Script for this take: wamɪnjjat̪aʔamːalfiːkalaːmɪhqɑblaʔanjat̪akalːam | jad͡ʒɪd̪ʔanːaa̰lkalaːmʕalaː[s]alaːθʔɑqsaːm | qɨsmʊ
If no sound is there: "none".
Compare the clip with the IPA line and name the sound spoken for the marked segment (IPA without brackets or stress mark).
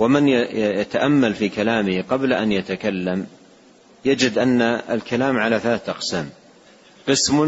θ